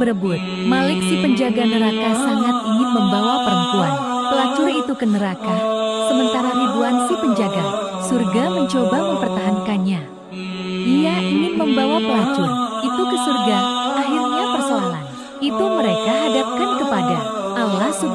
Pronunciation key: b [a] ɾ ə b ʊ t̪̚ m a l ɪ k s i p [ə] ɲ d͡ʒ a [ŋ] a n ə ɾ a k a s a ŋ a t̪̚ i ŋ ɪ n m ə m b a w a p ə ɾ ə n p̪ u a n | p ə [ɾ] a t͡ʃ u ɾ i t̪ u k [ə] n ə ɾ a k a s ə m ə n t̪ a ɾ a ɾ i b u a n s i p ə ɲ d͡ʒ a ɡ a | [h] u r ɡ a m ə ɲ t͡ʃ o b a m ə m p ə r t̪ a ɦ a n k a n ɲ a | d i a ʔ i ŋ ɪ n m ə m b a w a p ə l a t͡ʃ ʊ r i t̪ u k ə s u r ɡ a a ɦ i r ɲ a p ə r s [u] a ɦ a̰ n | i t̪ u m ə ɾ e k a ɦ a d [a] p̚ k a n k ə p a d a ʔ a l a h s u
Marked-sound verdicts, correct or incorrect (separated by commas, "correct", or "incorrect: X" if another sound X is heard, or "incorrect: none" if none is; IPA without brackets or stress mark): incorrect: ə, correct, incorrect: ɡ, incorrect: l, correct, incorrect: s, incorrect: o, correct